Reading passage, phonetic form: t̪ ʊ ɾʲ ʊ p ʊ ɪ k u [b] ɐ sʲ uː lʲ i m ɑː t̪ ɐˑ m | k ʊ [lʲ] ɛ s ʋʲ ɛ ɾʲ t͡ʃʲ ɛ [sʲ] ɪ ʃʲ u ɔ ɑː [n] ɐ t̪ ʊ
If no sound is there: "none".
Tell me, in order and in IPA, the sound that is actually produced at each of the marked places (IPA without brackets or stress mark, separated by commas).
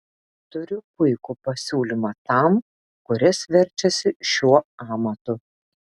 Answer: p, ɾʲ, sʲ, m